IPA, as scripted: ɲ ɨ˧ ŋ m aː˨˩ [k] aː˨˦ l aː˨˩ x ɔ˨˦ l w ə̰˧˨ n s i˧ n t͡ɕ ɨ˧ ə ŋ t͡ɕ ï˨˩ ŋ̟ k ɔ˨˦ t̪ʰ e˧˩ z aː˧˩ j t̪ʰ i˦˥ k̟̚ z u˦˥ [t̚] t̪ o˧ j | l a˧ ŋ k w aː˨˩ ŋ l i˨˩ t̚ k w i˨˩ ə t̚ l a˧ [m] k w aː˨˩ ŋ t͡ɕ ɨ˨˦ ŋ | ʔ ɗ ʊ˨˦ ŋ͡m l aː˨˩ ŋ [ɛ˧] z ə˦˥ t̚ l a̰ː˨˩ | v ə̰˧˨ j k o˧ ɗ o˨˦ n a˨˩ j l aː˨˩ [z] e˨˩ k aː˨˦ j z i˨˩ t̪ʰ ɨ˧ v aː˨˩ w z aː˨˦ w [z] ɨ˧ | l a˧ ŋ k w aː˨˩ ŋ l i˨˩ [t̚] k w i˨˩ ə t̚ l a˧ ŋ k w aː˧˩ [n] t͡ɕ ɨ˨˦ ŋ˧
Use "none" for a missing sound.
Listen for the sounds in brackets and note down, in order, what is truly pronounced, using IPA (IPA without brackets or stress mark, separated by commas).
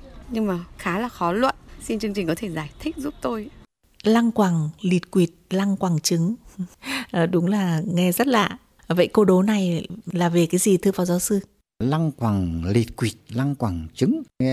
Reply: x, p̚, ŋ, ɛ˧, v, s, t̚, ŋ